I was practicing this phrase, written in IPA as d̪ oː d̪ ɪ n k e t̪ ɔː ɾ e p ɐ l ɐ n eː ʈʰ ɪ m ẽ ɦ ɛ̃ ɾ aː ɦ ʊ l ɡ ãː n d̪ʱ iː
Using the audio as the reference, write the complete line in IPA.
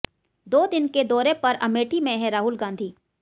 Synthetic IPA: d̪ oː d̪ ɪ n k e d̪ ɔː ɾ e p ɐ ɾ ɐ m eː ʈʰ i m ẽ ɦ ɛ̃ ɾ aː ɦ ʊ l ɡ ãː n d̪ʱ iː

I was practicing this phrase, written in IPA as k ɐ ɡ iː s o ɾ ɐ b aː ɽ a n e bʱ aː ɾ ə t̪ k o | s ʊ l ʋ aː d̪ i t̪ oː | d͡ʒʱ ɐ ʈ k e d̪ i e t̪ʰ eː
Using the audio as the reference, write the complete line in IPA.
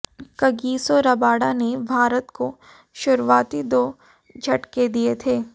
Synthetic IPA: k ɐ ɡ iː s o ɾ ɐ b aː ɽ a n e bʱ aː ɾ ə t̪ k o | ʃ ʊ ɾ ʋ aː t̪ i d̪ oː | d͡ʒʱ ɐ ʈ k e d̪ i e t̪ʰ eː

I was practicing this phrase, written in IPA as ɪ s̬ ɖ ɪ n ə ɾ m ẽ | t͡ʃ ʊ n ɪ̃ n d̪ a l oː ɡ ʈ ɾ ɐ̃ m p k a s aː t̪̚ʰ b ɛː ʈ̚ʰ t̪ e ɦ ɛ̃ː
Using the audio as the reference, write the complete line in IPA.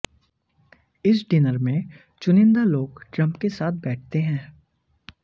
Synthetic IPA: ɪ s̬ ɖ ɪ n ə ɾ m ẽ | t͡ʃ ʊ n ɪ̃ n d̪ a l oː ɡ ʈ ɾ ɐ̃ m p k e s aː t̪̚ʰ b ɛː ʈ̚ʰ t̪ e ɦ ɛ̃ː

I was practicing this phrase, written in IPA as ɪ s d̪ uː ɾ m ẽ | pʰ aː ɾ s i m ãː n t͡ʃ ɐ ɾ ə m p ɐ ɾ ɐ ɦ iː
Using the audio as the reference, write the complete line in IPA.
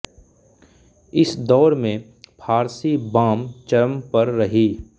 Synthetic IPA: ɪ s d̪ ɔː ɾ m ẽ | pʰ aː ɾ s i b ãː m t͡ʃ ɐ ɾ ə m p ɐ ɾː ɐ ɦ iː

